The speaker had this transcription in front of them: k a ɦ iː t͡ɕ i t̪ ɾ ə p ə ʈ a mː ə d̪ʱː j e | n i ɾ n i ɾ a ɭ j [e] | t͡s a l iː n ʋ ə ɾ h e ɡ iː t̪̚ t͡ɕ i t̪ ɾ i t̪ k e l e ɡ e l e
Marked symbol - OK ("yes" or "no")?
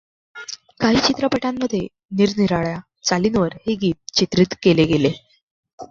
no